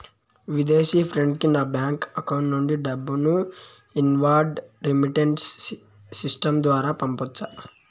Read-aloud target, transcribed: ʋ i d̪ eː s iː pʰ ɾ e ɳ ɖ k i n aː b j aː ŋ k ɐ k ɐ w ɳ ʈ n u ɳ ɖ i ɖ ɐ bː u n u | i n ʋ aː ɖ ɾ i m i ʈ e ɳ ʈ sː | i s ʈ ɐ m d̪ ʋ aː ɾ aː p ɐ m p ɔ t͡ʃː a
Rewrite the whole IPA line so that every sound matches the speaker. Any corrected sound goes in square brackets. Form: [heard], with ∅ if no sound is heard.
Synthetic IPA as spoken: ʋ i d̪ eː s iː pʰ ɾ e ɳ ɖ k i n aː b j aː ŋ k ɐ k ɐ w ɳ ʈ n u ɳ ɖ i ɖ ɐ bː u n u | i n ʋ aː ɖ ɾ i m i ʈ e ɳ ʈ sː | i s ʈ ɐ m d̪ ʋ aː ɾ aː p ɐ m p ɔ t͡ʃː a

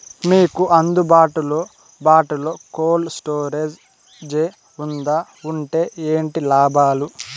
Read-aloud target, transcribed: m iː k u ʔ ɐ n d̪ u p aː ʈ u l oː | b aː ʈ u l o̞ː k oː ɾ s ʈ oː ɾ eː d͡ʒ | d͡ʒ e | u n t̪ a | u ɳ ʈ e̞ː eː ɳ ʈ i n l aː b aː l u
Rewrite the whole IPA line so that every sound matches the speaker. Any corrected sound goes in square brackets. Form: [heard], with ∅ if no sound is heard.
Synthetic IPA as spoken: m iː k u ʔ ɐ n d̪ u [b] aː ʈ u l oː | b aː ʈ u l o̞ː k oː [l] s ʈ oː ɾ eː d͡ʒ | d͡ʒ e | u n [d̪] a | u ɳ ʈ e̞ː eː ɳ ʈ i [∅] l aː b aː l u

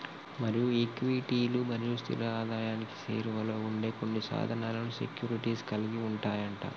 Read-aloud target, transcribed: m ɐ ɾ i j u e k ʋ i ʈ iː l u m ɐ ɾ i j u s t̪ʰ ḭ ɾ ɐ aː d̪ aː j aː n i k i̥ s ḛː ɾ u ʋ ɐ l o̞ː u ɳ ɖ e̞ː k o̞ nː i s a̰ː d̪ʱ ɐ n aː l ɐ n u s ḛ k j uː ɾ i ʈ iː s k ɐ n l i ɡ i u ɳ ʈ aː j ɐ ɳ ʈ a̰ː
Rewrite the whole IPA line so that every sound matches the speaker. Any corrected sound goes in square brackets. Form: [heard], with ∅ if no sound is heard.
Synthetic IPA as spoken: m ɐ ɾ i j u e k ʋ i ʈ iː l u m ɐ ɾ i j u s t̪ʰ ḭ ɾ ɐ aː d̪ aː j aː n i k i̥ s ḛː ɾ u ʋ ɐ l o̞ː u ɳ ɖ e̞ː k o̞ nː i s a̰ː d̪ʱ ɐ n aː l ɐ n u s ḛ k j uː ɾ i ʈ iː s k ɐ [∅] l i ɡ i u ɳ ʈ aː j ɐ ɳ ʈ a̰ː

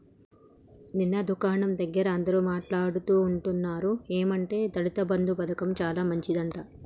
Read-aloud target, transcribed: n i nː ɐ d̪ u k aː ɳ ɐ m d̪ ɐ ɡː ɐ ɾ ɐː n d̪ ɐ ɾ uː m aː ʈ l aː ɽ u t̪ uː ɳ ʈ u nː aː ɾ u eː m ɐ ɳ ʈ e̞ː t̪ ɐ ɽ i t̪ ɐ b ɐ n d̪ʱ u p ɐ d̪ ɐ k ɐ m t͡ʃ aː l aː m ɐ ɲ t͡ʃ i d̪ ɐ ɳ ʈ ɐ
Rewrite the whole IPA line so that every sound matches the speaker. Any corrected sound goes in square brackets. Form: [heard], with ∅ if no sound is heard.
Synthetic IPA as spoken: n i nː ɐ d̪ u k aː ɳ ɐ m d̪ ɐ ɡː ɐ ɾ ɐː n d̪ ɐ ɾ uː m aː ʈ l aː ɽ u t̪ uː ɳ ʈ u nː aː ɾ u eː m ɐ ɳ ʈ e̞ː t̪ ɐ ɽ i t̪ ɐ b ɐ n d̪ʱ u p ɐ d̪ ɐ k ɐ m t͡ʃ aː l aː m ɐ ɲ t͡ʃ i d̪ ɐ ɳ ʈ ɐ

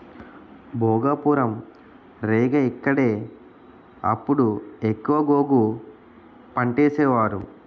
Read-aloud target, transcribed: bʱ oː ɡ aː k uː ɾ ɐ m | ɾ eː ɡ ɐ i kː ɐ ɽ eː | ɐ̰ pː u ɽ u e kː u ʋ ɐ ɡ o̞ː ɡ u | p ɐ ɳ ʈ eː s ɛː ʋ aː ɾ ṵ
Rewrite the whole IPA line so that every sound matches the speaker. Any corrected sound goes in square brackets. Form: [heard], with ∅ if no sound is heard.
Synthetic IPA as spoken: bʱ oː ɡ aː [p] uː ɾ ɐ m | ɾ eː ɡ ɐ i kː ɐ ɽ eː | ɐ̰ pː u ɽ u e kː u ʋ ɐ ɡ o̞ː ɡ u | p ɐ ɳ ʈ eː s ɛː ʋ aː ɾ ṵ

